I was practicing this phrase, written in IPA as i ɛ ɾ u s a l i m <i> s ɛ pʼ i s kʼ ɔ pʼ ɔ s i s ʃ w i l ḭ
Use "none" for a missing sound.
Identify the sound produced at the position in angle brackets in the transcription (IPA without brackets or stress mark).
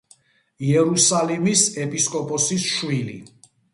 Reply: i